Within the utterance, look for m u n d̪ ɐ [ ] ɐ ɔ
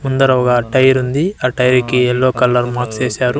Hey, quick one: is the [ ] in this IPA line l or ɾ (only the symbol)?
ɾ